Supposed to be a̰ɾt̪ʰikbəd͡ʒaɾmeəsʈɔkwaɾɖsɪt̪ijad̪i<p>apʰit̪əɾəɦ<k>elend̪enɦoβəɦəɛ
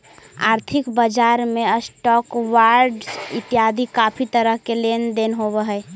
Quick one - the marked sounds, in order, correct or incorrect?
incorrect: k, correct

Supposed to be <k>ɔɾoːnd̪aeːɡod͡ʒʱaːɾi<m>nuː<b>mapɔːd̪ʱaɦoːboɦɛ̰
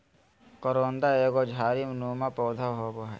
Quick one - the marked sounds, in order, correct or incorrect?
correct, correct, incorrect: none

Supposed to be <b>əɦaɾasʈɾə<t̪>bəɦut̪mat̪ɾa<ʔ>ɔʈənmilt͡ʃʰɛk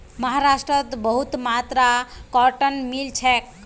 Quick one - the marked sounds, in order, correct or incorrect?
incorrect: m, correct, incorrect: k

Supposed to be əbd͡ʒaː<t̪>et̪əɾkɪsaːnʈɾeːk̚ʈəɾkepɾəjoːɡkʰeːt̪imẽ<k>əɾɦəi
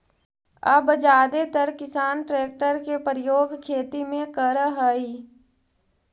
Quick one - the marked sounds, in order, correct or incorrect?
incorrect: d̪, correct

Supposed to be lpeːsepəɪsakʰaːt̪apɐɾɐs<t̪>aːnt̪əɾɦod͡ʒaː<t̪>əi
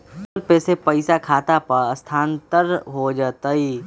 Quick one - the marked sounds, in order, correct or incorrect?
incorrect: t̪ʰ, correct

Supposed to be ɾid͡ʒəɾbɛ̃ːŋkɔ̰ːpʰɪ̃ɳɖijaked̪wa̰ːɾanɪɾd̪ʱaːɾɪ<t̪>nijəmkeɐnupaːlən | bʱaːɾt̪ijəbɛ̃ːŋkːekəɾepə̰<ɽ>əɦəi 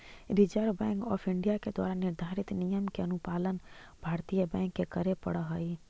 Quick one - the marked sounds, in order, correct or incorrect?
correct, correct

